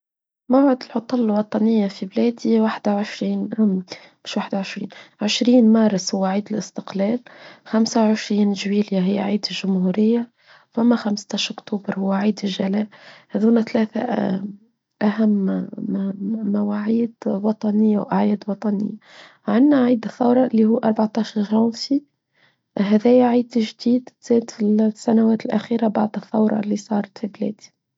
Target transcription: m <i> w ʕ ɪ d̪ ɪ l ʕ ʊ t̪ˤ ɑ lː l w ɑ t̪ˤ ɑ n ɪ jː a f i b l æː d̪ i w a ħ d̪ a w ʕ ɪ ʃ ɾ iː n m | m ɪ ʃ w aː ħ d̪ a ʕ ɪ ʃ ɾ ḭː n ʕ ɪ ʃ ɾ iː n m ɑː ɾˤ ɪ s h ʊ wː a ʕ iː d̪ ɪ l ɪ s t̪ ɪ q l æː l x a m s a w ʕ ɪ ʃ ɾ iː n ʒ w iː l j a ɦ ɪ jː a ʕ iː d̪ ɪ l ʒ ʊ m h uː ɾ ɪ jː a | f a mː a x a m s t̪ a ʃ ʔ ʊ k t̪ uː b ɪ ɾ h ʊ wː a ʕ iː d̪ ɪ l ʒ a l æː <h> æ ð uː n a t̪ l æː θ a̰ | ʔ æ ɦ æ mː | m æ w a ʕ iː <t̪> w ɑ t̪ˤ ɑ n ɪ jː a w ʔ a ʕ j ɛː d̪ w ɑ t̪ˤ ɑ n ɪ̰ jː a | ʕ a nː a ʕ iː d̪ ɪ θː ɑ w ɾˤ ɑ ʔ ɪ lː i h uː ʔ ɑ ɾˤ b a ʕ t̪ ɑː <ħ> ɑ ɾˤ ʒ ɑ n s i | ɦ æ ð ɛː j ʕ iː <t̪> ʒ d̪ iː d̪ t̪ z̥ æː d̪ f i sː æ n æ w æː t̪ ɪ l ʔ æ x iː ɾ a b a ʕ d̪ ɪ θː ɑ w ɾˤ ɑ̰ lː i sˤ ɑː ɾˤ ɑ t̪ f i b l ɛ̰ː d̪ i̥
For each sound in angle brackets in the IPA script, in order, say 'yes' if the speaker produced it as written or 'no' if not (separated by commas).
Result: no, yes, no, no, no